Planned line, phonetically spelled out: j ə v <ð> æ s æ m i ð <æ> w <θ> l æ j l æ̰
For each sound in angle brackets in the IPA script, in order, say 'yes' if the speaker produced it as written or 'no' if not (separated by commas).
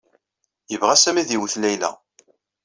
no, no, yes